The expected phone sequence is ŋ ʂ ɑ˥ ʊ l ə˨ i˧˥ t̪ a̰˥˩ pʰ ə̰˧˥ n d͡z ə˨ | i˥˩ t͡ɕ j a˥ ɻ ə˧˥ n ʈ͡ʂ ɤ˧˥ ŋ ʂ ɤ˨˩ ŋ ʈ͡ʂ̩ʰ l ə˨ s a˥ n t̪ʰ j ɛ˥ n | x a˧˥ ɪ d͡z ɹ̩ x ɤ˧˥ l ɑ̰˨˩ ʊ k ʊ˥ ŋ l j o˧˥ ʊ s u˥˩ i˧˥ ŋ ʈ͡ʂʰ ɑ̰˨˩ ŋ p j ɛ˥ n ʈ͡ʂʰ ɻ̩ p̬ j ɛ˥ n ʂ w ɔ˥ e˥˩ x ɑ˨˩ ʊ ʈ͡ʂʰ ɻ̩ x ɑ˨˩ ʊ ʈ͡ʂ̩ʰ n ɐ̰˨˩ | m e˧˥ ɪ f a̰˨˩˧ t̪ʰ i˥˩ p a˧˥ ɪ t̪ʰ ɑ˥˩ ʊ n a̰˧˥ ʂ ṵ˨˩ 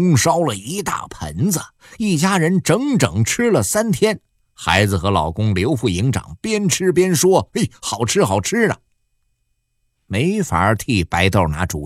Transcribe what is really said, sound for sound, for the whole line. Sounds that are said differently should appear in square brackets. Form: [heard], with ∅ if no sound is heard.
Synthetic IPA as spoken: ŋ ʂ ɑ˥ ʊ l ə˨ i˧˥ t̪ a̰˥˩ pʰ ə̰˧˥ n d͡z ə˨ | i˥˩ t͡ɕ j a˥ ɻ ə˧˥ n ʈ͡ʂ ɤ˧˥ ŋ [ʈ͡ʂ] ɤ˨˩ ŋ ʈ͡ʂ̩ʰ l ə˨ s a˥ n t̪ʰ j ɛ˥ n | x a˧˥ ɪ d͡z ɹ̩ x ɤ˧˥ l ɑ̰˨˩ ʊ k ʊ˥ ŋ l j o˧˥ ʊ [f] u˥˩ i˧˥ ŋ [ʈ͡ʂ] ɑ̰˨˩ ŋ p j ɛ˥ n ʈ͡ʂʰ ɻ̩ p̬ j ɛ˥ n ʂ w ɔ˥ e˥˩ x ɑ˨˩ ʊ ʈ͡ʂʰ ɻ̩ x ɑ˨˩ ʊ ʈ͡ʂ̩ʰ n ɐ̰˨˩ | m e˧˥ ɪ f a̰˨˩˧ t̪ʰ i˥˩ p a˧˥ ɪ [t̪] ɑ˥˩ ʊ n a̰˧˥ [ʈ͡ʂ] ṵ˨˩